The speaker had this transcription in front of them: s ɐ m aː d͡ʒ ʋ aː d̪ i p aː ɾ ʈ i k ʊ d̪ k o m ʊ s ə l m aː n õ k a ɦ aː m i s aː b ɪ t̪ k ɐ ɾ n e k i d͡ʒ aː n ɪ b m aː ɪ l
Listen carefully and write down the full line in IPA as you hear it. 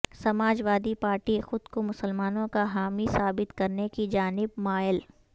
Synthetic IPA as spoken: s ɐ m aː d͡ʒ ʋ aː d̪ i p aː ɾ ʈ i x ʊ d̪ k o m ʊ s ə l m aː n õ k a ɦ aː m i s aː b ɪ t̪ k ɐ ɾ n e k i d͡ʒ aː n ɪ b m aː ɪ l